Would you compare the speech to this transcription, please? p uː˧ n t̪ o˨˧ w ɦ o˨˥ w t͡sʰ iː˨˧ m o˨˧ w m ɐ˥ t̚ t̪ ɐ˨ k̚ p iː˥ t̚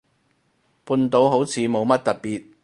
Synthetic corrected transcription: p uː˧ n t̪ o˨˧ w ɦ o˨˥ w t͡sʰ iː˨˧ m o˨˧ w m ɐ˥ t̚ t̪ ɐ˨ t̚ p iː˨ t̚

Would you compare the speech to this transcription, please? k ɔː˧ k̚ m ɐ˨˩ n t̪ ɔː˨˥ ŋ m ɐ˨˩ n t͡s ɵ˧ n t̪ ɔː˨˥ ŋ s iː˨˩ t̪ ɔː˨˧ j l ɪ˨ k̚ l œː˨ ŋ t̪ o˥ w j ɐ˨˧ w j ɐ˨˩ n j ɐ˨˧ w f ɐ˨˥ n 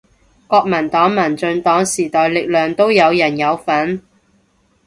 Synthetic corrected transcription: k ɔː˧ k̚ m ɐ˨˩ n t̪ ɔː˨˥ ŋ m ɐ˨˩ n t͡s ɵ˧ n t̪ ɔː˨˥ ŋ s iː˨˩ t̪ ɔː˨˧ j l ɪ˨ k̚ l œː˨ ŋ t̪ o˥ w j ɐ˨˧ w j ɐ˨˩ n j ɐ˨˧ w f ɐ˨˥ n

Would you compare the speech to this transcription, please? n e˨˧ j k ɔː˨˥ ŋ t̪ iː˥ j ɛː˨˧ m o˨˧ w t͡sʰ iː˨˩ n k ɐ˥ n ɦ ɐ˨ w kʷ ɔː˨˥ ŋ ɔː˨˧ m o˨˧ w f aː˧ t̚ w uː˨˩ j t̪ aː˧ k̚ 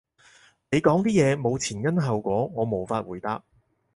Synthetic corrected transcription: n e˨˧ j k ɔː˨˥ ŋ t̪ iː˥ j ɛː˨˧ m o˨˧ w t͡sʰ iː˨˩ n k ɐ˥ n ɦ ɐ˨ w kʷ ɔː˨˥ ŋ ɔː˨˧ m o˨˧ w f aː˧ t̚ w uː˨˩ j t̪ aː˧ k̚

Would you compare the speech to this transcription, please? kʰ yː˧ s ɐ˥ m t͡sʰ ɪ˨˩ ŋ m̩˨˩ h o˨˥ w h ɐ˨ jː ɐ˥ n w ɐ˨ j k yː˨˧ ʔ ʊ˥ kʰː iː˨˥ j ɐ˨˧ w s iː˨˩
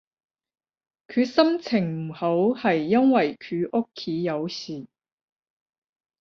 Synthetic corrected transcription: kʰ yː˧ s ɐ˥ m t͡sʰ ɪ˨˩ ŋ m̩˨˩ h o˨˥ w h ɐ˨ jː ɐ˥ n w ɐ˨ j kʰ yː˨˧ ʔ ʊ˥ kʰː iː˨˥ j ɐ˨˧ w s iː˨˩

